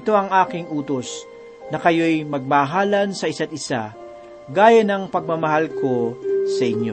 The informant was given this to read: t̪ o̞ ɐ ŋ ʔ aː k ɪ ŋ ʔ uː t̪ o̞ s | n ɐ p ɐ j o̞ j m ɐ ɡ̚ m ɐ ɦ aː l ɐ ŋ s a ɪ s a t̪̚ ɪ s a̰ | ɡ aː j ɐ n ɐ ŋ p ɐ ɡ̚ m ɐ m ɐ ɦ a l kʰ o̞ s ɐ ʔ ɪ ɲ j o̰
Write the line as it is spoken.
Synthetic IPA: t̪ o̞ ɐ ŋ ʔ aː k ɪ ŋ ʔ uː t̪ o̞ s | n ɐ k ɐ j o̞ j m ɐ ɡ̚ m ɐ ɦ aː l ɐ n s ɐ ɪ s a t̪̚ ɪ s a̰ | ɡ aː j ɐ n ɐ ŋ p ɐ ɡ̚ m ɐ m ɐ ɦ a l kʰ o̞ s ɐ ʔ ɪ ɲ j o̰